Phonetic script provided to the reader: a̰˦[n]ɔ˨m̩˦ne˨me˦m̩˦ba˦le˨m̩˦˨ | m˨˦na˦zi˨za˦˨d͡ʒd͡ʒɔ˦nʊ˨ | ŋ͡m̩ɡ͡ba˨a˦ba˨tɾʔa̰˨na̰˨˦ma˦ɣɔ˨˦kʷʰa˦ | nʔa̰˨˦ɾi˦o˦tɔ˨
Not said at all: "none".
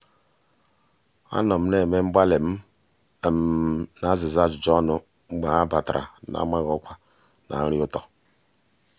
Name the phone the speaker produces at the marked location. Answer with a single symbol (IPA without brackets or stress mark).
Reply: n